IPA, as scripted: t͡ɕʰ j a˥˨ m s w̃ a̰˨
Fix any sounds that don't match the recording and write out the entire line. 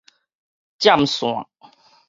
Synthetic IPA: t͡ɕ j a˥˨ m s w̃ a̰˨